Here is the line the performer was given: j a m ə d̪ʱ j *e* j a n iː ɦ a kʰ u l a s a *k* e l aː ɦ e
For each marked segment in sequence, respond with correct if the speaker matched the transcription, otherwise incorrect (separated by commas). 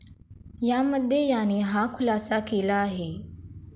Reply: correct, correct